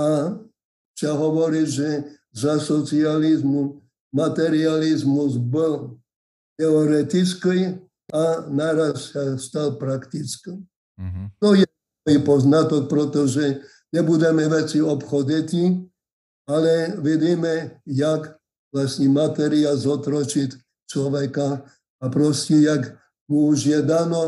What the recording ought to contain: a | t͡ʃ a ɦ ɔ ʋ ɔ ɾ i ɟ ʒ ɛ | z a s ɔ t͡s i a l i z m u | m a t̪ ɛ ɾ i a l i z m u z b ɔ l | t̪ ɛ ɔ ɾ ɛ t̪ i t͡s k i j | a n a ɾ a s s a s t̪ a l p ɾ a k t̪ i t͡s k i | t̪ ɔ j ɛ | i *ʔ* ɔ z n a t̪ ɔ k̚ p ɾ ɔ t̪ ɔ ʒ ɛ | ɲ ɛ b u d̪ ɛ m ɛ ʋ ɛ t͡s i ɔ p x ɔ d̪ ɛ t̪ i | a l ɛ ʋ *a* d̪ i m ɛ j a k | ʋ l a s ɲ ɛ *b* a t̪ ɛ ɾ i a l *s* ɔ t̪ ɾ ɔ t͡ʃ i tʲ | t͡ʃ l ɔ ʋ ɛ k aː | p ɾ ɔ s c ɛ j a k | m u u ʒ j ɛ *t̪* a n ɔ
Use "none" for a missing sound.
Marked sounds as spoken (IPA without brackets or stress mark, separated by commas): p, i, m, z, d̪